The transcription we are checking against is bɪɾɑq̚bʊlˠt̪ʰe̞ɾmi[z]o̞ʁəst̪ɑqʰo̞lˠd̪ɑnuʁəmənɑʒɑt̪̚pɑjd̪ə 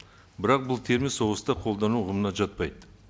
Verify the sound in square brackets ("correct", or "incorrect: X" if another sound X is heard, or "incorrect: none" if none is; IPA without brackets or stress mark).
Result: incorrect: s